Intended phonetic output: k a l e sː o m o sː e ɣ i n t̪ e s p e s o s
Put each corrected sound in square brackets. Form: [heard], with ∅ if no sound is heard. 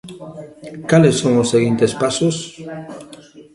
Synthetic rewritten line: k a l e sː o [ŋ] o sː e ɣ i n t̪ e s p [a] s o s